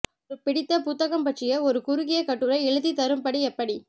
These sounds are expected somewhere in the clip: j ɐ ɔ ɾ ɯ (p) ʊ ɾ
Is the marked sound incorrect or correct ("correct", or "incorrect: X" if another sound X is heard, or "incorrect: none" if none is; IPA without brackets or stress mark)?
incorrect: k